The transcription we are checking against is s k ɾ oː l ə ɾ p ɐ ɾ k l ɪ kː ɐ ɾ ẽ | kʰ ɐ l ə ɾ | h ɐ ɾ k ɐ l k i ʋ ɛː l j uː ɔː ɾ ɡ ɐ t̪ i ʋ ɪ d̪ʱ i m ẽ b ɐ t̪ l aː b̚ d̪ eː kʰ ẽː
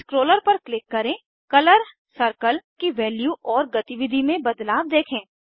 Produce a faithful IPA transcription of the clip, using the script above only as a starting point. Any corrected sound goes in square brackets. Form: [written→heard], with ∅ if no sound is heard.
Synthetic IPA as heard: s k ɾ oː l ə ɾ p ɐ ɾ k l ɪ kː ɐ ɾ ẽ | [kʰ→k] ɐ l ə ɾ | [h→s] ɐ ɾ k [ɐ→ə] l k i ʋ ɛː l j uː ɔː ɾ ɡ ɐ t̪ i ʋ ɪ d̪ʱ i m ẽ b ɐ [t̪→d̪] l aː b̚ d̪ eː kʰ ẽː

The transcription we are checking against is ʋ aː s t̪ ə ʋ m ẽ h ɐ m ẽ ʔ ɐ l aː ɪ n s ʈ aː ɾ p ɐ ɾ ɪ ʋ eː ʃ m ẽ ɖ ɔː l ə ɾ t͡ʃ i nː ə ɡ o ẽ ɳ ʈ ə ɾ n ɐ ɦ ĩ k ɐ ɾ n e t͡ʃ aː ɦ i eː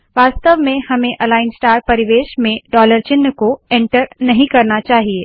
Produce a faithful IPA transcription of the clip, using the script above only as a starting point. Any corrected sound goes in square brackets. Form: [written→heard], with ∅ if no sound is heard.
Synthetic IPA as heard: ʋ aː s t̪ ə ʋ m ẽ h ɐ m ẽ ʔ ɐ l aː ɪ n s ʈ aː ɾ p ɐ ɾ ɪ ʋ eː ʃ m ẽ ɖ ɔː l ə ɾ t͡ʃ [i→ɪ] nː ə [ɡ→k] o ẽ ɳ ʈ ə ɾ n ɐ ɦ ĩ k ɐ ɾ n [e→a] t͡ʃ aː ɦ i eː

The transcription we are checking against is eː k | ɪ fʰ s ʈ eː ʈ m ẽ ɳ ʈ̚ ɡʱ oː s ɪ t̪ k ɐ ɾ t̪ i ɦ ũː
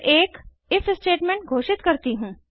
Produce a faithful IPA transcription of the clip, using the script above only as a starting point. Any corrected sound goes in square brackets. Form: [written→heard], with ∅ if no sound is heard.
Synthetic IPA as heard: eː k | ɪ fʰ s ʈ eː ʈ m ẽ ɳ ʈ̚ ɡʱ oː [s→ʃ] ɪ t̪ k ɐ ɾ t̪ i ɦ ũː

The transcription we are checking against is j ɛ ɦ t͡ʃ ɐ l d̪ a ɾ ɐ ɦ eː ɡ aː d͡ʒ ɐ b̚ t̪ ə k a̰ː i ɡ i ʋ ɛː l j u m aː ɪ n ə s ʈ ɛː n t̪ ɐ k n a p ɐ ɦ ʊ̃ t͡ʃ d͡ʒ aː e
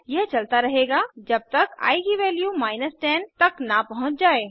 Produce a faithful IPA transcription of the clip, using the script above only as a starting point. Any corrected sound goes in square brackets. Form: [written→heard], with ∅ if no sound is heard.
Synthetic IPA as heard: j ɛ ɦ t͡ʃ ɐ l [d̪→t̪] a ɾ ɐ ɦ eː ɡ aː d͡ʒ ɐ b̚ t̪ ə k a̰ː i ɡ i ʋ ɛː l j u m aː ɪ n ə s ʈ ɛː n t̪ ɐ k n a p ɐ ɦ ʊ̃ t͡ʃ d͡ʒ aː e

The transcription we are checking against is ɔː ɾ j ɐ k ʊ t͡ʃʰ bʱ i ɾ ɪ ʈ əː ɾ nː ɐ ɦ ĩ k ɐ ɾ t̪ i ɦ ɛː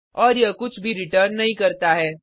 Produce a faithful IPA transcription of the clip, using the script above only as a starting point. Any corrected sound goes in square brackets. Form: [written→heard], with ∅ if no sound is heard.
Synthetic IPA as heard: ɔː ɾ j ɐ k ʊ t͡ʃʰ bʱ i ɾ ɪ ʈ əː ɾ nː ɐ ɦ ĩ k ɐ ɾ t̪ [i→a] ɦ ɛː

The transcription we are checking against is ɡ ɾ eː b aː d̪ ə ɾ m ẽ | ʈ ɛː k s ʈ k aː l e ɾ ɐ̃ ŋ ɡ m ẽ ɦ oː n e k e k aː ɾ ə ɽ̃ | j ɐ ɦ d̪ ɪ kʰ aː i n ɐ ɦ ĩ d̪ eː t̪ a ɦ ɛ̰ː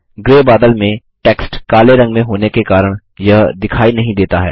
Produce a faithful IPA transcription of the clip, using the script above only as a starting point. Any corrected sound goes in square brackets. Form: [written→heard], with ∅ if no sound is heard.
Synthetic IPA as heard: ɡ ɾ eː b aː d̪ ə [ɾ→l] m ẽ | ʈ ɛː k s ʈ k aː l e ɾ ɐ̃ ŋ ɡ m ẽ ɦ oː n e k e k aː ɾ ə ɽ̃ | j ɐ ɦ d̪ ɪ kʰ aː i n ɐ ɦ ĩ d̪ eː t̪ a ɦ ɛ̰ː

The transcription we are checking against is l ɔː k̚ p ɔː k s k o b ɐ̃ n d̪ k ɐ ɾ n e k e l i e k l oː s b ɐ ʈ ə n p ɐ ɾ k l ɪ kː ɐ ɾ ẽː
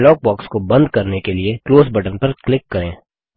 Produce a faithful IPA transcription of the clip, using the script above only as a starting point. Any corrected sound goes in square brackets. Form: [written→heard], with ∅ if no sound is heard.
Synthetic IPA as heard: l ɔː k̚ [p→b] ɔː k s k o b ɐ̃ n d̪ k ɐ ɾ n e k e l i e k l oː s b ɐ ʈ ə n p ɐ ɾ k l ɪ kː ɐ ɾ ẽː

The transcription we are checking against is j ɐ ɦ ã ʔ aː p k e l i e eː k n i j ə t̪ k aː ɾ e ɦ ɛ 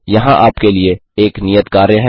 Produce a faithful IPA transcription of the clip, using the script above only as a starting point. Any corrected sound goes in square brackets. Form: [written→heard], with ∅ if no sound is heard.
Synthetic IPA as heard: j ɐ ɦ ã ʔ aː p k e l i e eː k n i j ə t̪ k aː ɾ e ɦ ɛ

